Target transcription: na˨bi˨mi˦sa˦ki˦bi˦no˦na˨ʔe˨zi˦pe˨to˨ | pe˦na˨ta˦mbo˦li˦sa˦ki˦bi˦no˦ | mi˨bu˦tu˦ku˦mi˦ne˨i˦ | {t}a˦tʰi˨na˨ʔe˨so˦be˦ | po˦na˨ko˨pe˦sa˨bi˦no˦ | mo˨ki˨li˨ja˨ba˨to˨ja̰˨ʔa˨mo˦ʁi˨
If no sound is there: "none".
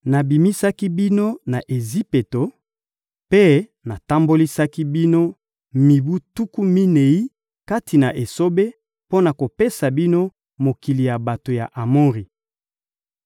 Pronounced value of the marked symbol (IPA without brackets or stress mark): k